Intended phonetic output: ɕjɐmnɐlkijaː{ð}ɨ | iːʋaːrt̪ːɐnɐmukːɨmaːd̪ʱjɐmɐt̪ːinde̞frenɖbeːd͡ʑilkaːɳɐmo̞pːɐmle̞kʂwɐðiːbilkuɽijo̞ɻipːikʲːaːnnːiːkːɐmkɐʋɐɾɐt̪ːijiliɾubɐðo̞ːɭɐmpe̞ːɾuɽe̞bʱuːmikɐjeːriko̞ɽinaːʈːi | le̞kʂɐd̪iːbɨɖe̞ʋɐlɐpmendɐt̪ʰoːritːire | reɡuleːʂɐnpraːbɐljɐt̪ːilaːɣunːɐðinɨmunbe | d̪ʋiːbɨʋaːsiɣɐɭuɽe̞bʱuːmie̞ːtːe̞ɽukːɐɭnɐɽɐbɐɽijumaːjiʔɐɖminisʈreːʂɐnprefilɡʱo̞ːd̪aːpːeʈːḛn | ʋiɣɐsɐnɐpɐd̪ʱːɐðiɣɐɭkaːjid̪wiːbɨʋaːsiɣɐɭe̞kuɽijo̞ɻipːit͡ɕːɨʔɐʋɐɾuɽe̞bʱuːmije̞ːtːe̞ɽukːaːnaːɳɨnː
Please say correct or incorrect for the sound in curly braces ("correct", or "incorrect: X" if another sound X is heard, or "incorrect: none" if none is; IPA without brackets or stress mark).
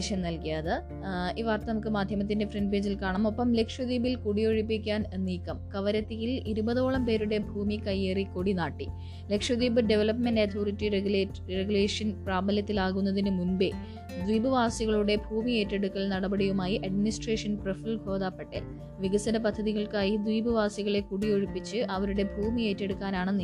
correct